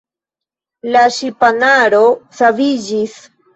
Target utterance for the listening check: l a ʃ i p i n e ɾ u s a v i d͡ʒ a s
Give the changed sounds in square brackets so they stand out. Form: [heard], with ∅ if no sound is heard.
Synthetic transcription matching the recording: l a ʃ i p [a] n [a] ɾ [o] s a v i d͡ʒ [i] s

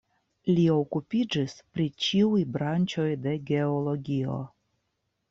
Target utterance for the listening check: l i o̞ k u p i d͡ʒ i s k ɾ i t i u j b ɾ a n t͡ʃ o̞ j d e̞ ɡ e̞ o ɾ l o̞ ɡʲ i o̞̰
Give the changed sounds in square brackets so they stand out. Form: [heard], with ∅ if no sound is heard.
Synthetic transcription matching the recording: l i o̞ k u p i d͡ʒ i s [p] ɾ i [t͡ʃ] i u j b ɾ a n t͡ʃ o̞ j d e̞ ɡ e̞ o [∅] l o̞ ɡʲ i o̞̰

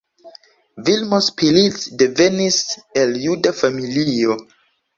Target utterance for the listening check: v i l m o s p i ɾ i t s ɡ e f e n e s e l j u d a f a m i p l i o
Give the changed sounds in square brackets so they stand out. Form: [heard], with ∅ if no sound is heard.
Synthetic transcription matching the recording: v i l m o s p i [l] i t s [d] e [v] e n [i] s e l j u d a f a m i [∅] l i o

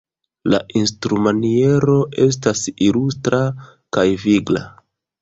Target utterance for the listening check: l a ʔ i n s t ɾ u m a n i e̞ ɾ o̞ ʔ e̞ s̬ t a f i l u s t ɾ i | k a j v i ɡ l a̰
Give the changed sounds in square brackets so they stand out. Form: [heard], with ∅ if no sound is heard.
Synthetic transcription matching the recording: l a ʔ i n s t ɾ u m a n i e̞ ɾ o̞ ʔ e̞ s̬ t a [s] i l u s t ɾ [a] | k a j v i ɡ l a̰

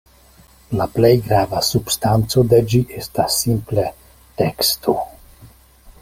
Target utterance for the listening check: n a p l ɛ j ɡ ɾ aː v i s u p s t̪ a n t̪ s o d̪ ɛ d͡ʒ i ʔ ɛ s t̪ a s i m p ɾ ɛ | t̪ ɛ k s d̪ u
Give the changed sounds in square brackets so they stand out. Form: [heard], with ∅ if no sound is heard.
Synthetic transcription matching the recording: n a p l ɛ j ɡ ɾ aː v [a] s u p s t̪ a n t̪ s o d̪ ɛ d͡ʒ i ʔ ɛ s t̪ a s i m p [l] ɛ | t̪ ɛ k s [t̪] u

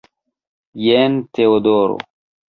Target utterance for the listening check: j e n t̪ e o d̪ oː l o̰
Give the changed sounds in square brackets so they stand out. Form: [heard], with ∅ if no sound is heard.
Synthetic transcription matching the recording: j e n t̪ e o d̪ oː [ɾ] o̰

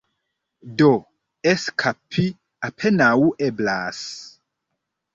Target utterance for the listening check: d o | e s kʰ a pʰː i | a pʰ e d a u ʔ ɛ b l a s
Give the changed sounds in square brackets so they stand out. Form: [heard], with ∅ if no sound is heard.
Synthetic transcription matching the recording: d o | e s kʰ a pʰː i | a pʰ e [n] a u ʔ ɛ b l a s

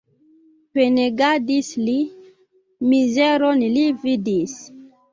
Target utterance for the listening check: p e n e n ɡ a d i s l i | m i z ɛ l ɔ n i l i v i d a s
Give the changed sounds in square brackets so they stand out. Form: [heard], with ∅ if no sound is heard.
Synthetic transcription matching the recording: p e n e [∅] ɡ a d i s l i | m i z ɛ [ɾ] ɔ n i l i v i d [i] s

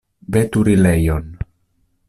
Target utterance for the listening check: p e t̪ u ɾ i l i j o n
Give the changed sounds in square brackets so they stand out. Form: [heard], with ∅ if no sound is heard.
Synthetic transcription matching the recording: [b] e t̪ u ɾ i l [e] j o n

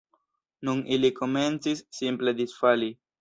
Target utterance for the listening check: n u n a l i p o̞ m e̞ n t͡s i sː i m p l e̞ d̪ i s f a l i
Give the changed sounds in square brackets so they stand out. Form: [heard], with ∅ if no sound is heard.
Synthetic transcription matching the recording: n u n [i] l i [k] o̞ m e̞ n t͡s i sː i m p l e̞ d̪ i s f a l i

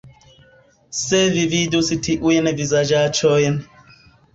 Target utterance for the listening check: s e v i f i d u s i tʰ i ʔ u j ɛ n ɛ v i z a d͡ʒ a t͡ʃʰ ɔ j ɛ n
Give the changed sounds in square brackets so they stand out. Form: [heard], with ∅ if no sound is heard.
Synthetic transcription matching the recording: s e v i [v] i d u s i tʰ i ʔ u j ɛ n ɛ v i z a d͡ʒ a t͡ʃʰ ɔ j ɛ n

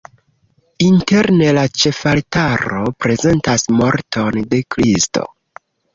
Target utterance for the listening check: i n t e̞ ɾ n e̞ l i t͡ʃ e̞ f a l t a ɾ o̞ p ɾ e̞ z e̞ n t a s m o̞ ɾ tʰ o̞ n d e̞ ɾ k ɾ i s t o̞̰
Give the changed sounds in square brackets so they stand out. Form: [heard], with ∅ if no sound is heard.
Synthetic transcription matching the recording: i n t e̞ ɾ n e̞ l [a] t͡ʃ e̞ f a l t a ɾ o̞ p ɾ e̞ z e̞ n t a s m o̞ ɾ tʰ o̞ n d e̞ [∅] k ɾ i s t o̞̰

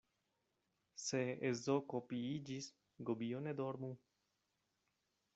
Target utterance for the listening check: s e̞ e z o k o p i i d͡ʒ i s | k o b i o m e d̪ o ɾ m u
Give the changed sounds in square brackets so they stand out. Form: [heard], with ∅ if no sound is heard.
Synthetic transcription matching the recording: s e̞ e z o k o p i i d͡ʒ i s | [ɡ] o b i o [n] e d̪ o ɾ m u

